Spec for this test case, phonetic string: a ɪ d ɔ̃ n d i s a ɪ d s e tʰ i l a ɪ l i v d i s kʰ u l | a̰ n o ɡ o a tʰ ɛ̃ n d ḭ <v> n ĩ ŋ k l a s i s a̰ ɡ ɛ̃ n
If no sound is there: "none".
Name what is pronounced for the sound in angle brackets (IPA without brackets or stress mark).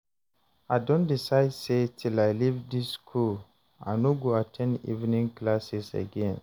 v